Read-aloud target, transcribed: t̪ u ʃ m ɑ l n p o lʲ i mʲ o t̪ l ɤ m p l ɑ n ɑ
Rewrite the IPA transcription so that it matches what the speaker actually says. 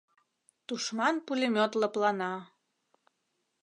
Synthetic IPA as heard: t̪ u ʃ m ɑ n p u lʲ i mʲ o t̪ l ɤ p l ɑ n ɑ